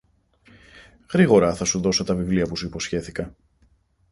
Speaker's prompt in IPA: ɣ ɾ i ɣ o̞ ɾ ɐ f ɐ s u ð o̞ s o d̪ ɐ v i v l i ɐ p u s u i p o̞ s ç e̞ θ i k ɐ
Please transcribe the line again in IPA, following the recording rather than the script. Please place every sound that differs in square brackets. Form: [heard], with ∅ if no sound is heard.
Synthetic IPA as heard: ɣ ɾ i ɣ o̞ ɾ ɐ [θ] ɐ s u ð o̞ s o [t̪] ɐ v i v l i ɐ p u s u i p o̞ s ç e̞ θ i k ɐ